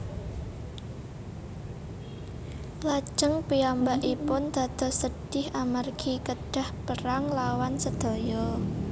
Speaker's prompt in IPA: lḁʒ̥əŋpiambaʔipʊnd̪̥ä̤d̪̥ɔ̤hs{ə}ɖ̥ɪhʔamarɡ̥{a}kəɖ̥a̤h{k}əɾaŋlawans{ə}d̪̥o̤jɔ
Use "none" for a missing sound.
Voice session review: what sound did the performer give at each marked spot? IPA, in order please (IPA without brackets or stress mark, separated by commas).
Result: ə, i, p, ə